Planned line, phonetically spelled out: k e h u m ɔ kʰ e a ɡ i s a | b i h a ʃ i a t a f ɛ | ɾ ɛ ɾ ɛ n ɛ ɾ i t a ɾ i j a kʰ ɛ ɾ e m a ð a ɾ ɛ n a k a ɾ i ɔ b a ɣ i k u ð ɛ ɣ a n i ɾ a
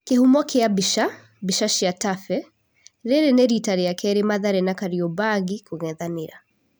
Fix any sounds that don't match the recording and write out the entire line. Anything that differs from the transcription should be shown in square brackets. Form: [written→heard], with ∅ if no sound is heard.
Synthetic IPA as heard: k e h u m ɔ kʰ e a [ɡ→b] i [s→ʃ] a | b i [h→ʃ] a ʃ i a t a f ɛ | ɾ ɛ ɾ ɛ n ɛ ɾ i t a ɾ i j a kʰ ɛ ɾ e m a ð a ɾ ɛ n a k a ɾ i ɔ b a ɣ i k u [ð→ɣ] ɛ [ɣ→ð] a n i ɾ a